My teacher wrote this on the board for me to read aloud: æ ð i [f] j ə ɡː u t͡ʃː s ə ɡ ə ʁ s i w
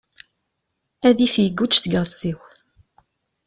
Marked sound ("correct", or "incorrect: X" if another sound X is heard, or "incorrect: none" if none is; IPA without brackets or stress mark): correct